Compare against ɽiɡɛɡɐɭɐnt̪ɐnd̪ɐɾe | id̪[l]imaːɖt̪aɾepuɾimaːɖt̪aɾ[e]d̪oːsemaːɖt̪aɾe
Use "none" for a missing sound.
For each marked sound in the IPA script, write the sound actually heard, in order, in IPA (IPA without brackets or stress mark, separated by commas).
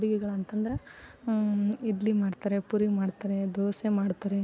l, e